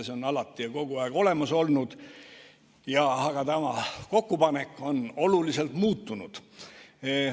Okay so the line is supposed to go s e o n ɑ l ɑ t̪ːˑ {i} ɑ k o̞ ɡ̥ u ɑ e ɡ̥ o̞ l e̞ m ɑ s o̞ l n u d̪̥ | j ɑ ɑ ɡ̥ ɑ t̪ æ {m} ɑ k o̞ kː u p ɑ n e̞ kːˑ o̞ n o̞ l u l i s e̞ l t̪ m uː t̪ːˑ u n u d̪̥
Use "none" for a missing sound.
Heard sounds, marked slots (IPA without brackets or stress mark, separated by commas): i, m